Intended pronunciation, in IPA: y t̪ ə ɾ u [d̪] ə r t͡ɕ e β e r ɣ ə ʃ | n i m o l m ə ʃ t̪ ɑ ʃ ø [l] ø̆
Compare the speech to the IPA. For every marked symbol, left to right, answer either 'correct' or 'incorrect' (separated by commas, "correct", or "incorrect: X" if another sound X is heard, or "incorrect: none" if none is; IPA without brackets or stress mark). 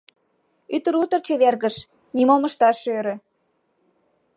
incorrect: t̪, incorrect: ɾ